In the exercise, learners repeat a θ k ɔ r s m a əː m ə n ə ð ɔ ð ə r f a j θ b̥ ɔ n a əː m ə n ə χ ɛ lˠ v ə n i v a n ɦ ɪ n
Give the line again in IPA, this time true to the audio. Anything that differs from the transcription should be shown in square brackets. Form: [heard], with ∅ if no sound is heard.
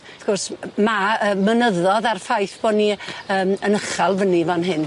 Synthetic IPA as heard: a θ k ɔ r s m a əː m ə n ə ð ɔ ð [a] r f a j θ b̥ ɔ n [i] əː m ə n ə χ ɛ lˠ v ə n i v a n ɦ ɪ n